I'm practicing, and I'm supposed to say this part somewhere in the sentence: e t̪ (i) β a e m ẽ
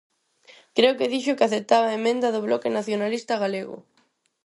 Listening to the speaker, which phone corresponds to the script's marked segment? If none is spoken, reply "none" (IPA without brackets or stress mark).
a